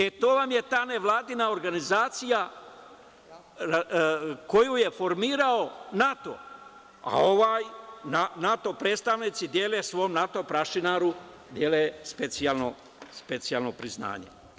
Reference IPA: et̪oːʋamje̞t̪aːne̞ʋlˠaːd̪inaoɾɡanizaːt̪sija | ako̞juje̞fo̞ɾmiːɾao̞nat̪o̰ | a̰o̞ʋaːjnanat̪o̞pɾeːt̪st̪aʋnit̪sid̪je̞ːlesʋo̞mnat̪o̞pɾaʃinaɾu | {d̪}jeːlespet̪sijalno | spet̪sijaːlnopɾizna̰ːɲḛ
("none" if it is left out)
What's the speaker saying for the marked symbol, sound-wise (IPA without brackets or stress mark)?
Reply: d̪